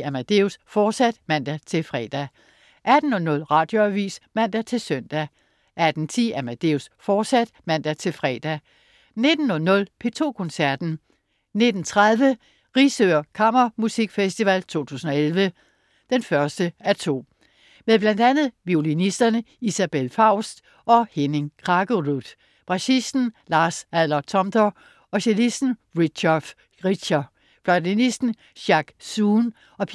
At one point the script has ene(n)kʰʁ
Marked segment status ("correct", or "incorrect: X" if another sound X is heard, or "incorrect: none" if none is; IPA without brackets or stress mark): incorrect: ŋ